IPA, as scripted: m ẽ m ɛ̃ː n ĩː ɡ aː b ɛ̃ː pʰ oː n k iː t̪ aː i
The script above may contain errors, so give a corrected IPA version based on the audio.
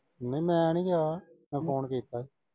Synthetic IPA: n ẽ m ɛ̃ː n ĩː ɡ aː m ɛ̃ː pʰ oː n k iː t̪ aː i

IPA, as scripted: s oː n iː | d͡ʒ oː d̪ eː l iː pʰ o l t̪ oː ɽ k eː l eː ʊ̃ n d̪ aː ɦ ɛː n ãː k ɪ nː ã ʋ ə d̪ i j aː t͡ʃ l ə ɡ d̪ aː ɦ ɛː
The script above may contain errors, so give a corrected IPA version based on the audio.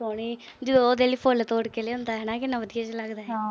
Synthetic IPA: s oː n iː | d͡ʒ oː d̪ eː l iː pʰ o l t̪ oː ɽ k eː l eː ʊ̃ n d̪ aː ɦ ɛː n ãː k ɪ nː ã ʋ ə d̪ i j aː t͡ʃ l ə ɡ d̪ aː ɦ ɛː

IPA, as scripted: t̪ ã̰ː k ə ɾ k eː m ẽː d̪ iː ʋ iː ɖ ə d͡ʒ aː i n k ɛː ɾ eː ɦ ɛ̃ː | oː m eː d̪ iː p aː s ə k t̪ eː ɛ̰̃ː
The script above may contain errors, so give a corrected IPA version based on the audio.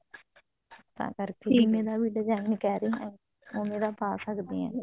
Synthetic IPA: t̪ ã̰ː k ə ɾ k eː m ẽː d̪ aː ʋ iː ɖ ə d͡ʒ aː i n k ɛː ɾ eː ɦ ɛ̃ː | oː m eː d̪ aː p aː s ə k d̪ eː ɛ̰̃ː

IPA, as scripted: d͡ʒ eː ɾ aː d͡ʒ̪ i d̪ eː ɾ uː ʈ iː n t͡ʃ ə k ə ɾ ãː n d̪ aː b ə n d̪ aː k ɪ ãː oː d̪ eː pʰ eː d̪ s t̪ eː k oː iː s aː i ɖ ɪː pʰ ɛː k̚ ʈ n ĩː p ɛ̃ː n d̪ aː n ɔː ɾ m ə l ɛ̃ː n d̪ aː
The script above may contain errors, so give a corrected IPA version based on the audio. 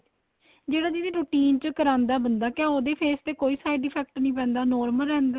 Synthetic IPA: d͡ʒ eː ɽ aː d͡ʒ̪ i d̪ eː ɾ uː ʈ iː n t͡ʃ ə k ə ɾ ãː n d̪ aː b ə n d̪ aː k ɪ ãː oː d̪ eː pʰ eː s t̪ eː k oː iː s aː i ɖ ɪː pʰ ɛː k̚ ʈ n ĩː p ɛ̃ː n d̪ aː n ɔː ɾ m ə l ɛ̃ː n d̪ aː

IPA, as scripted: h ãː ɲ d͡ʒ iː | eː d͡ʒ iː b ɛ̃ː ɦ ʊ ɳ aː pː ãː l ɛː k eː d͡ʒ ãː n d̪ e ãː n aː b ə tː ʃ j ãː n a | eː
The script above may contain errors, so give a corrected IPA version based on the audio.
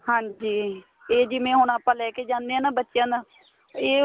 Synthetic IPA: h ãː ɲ d͡ʒ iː | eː d͡ʒ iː m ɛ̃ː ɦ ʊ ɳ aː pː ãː l ɛː k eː d͡ʒ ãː n d̪ e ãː n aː b ə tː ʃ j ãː n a | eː

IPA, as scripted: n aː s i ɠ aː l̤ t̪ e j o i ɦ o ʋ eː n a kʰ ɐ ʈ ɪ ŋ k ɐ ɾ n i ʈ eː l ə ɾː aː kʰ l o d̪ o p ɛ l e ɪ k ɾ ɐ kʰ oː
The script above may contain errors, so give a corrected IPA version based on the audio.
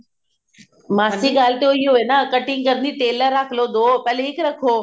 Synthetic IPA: m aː s i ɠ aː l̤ t̪ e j o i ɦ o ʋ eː n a k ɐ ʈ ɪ ŋ k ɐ ɾ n i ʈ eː l ə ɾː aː kʰ l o d̪ o p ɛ l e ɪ k ɾ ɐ kʰ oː

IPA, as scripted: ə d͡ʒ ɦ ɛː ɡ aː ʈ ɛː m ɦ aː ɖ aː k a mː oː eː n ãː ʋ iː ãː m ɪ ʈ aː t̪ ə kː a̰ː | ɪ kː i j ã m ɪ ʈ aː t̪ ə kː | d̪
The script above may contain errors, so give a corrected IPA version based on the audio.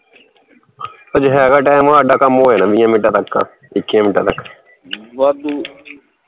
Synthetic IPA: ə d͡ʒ ɦ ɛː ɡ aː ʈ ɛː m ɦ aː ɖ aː k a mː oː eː n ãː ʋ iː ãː m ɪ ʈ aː t̪ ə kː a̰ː | ɪ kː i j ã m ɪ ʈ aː t̪ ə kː | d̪

